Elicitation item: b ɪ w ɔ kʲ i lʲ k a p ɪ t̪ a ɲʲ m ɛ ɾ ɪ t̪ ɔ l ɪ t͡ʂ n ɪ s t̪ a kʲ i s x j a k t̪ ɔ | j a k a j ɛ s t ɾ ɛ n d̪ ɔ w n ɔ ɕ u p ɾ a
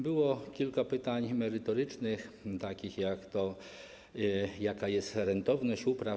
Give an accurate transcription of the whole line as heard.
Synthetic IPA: b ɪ w ɔ kʲ i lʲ k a p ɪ t̪ a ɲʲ m ɛ ɾ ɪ t̪ ɔ ɾ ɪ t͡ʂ n ɪ x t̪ a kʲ i x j a k t̪ ɔ | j a k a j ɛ s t ɾ ɛ n t̪ ɔ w n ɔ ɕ u p ɾ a